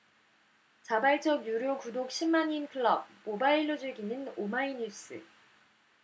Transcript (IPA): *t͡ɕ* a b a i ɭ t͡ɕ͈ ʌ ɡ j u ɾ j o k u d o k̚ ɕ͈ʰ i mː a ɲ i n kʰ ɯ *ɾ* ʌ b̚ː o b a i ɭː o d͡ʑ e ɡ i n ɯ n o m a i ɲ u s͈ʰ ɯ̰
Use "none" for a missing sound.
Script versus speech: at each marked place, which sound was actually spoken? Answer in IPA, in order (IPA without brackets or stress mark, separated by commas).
t͡ɕ, ɭ